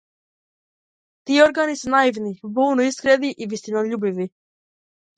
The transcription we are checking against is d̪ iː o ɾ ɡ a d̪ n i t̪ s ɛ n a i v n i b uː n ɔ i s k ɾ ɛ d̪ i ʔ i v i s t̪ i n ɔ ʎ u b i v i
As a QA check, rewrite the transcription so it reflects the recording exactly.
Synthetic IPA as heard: t̪ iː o ɾ ɡ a n i s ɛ n a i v n i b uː n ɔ i s k ɾ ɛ d̪ i ʔ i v i s t̪ i n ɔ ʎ u b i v i